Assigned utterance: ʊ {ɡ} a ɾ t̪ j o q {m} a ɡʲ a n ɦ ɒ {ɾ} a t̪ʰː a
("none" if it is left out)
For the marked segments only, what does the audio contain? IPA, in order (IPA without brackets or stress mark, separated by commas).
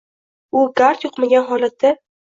ɡ, m, l